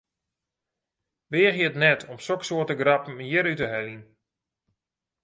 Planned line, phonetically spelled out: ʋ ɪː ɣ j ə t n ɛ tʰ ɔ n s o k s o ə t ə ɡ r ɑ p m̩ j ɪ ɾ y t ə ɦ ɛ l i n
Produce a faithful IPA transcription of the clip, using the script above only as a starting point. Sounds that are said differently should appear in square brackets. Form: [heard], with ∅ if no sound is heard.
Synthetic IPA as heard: ʋ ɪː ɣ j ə t n ɛ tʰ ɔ [m] s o k s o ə t ə ɡ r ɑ p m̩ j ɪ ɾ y t ə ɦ ɛ l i n

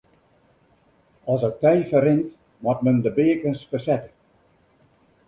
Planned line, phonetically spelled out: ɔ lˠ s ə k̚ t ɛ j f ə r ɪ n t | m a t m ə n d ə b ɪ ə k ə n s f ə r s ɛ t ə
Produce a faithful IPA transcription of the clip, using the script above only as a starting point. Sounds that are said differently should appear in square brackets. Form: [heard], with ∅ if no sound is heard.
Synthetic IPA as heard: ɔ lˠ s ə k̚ t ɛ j f ə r ɪ n t | m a t m ə n d ə b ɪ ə k ə n s f ə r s ɛ t ə

